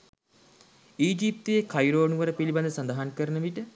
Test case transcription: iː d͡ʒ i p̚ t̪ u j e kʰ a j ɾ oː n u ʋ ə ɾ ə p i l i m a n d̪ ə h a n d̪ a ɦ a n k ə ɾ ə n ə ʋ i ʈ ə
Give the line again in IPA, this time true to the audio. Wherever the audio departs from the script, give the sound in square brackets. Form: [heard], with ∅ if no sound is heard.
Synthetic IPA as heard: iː d͡ʒ i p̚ t̪ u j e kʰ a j ɾ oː n u ʋ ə ɾ ə p i l i [b] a n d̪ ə [s] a n d̪ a ɦ a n k ə ɾ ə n ə ʋ i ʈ ə